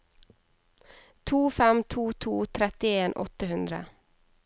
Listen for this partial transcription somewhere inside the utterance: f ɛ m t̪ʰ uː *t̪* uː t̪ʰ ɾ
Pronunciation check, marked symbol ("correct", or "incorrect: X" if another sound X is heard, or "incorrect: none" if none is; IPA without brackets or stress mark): incorrect: t̪ʰ